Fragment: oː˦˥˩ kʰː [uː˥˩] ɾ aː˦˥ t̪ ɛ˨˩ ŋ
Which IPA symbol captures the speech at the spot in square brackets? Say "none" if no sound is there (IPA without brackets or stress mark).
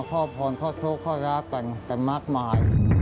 ɔː˥˩